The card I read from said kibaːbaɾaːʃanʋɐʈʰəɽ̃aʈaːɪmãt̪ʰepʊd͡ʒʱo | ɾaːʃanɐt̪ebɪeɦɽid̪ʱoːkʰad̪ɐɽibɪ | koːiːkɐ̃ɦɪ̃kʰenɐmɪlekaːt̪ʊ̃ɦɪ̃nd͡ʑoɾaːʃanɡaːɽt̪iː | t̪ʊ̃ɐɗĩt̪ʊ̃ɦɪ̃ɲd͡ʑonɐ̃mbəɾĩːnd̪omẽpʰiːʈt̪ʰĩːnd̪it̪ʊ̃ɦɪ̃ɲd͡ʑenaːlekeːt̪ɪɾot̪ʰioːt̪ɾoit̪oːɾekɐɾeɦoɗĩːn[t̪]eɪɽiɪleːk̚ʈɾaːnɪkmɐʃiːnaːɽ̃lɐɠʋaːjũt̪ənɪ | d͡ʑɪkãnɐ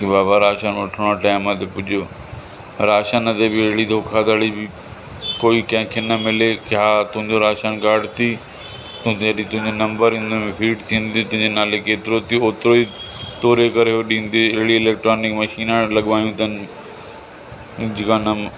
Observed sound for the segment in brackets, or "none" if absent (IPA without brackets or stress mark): d̪